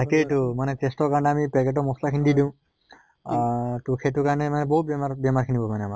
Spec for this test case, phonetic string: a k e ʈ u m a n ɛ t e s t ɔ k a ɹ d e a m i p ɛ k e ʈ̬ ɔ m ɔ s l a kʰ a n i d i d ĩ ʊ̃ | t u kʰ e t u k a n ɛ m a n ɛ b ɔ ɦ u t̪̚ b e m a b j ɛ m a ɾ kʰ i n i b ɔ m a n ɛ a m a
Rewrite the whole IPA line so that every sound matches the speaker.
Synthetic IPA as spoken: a k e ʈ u m a n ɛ t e s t ɔ k a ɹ n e a m i p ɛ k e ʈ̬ ɔ m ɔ s l a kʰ i n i d i d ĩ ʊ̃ | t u kʰ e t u k a n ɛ m a n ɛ b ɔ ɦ u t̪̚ b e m a b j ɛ m a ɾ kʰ i n i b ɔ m a n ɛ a m a